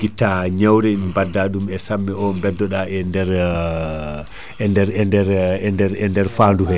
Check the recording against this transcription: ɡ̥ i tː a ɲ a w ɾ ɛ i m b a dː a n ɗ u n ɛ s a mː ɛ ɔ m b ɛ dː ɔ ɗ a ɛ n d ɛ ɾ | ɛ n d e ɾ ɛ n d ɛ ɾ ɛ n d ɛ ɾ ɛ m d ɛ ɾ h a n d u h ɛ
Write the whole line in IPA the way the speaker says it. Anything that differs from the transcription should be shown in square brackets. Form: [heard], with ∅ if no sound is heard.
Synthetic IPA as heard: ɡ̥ i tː a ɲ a w ɾ ɛ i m b a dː a [∅] ɗ u [m] ɛ s a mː ɛ ɔ m b ɛ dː ɔ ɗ a ɛ n d ɛ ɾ | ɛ n d [ɛ] ɾ ɛ n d ɛ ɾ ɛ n d ɛ ɾ ɛ [n] d ɛ ɾ [f] a n d u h ɛ